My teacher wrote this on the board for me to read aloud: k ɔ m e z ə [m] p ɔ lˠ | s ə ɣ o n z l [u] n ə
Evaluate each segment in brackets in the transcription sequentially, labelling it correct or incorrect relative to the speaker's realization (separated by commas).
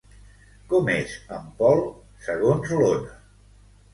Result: correct, incorrect